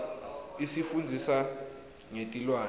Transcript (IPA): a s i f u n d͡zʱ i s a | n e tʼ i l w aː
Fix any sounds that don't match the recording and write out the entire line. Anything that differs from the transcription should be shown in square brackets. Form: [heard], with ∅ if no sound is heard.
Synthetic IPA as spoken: [i] s i f u n d͡zʱ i s a | [ŋ] e tʼ i l w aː